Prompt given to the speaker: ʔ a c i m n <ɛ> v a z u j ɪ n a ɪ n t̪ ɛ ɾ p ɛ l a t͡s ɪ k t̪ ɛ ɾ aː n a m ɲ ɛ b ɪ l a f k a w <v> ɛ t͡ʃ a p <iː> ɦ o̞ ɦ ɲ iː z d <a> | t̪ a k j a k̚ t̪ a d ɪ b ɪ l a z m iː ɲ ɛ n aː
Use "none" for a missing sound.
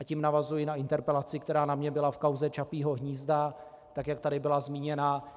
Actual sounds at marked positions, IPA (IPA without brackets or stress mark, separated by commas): a, z, iː, a